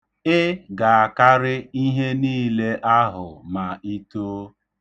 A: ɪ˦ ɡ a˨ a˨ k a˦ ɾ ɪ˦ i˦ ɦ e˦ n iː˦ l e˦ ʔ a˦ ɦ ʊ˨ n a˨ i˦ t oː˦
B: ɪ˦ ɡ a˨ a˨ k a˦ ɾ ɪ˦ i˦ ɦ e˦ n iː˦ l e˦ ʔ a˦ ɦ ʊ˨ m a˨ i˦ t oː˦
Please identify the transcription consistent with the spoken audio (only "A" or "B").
B